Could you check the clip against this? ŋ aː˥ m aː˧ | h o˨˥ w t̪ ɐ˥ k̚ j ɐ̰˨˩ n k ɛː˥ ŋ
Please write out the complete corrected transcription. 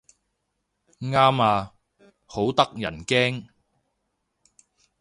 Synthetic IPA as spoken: ŋ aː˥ m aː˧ | h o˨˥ w t̪ ɐ˥ k̚ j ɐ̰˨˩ n k ɛː˥ ŋ